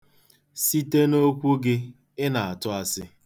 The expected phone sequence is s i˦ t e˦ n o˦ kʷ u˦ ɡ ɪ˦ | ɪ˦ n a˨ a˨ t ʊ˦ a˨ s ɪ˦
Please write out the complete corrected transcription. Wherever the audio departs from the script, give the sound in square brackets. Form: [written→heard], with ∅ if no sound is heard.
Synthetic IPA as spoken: s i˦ t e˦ n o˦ kʷ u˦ ɡ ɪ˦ | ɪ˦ n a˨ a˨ t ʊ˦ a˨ s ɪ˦